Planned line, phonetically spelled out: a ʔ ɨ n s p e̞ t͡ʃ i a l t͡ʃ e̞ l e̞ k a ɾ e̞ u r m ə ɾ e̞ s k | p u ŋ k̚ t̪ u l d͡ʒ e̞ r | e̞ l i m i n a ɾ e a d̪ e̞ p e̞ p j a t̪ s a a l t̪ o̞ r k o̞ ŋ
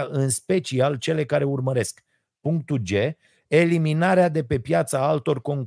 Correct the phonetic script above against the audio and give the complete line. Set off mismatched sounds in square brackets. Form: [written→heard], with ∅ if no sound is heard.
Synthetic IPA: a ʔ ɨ n s p e̞ t͡ʃ i a l t͡ʃ e̞ l e̞ k a ɾ e̞ u r m ə ɾ e̞ s k | p u ŋ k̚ t̪ u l d͡ʒ e̞ [r→∅] | e̞ l i m i n a ɾ e a d̪ e̞ p e̞ p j a t̪ s a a l t̪ o̞ r k o̞ ŋ